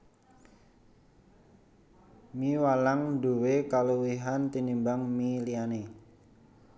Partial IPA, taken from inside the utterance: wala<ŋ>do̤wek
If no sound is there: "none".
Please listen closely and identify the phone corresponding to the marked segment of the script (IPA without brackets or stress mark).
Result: ŋ